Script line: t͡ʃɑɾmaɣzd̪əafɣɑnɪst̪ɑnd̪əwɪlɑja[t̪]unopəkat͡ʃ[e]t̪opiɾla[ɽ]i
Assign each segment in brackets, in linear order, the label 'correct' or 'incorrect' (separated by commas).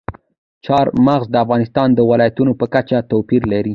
correct, incorrect, incorrect